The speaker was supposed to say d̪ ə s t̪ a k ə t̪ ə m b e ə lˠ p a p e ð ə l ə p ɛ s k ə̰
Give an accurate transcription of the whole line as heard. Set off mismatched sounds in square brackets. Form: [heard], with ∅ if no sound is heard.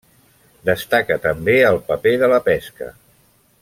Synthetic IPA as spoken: d̪ ə s t̪ a k ə t̪ ə m b e ə lˠ p [ə] p e ð ə l ə p ɛ s k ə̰